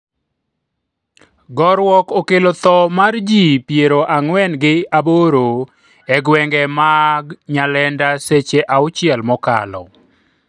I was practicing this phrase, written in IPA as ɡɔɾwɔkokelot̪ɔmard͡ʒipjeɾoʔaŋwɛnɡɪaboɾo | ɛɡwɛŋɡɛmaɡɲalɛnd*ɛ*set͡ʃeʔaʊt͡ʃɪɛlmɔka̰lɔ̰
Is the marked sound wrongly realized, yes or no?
yes